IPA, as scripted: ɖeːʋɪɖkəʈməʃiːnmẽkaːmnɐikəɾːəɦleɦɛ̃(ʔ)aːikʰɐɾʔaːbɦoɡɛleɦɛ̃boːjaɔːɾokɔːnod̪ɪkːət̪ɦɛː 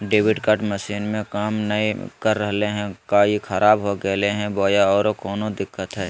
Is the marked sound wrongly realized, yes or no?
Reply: yes